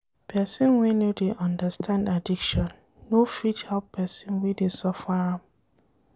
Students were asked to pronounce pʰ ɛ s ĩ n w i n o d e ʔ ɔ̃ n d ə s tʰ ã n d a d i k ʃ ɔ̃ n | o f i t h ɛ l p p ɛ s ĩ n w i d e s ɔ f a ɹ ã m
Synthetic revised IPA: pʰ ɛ s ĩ n w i n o d e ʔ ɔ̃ n d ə s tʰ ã n d a d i k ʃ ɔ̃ nː | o f i t h ɛ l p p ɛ s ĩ n w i d e s ɔ f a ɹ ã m